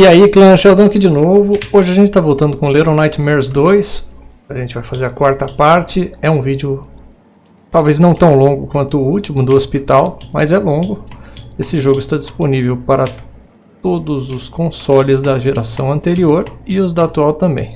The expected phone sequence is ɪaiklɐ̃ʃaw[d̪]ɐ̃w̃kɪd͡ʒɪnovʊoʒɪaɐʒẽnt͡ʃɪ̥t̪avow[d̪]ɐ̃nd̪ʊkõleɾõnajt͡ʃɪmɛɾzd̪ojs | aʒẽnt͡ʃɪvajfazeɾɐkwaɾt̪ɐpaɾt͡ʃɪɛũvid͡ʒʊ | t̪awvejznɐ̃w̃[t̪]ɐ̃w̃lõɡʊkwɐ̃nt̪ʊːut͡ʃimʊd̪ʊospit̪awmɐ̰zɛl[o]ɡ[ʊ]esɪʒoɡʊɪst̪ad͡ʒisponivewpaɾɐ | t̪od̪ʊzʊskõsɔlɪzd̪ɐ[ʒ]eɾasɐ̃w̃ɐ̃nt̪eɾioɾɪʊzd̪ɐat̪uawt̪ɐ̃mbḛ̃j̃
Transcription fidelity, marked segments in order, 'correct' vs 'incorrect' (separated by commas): correct, incorrect, correct, incorrect, correct, correct